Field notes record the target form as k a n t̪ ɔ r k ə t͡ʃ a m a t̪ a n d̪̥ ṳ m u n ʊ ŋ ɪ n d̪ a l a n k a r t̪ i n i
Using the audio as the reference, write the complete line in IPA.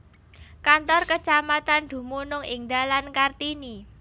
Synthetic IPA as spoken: k a n t̪ ɔ r k ə t͡ʃ a m a t̪ a n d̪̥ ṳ m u n ʊ ŋ ɪ ŋ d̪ a l a n k a r t̪ i n i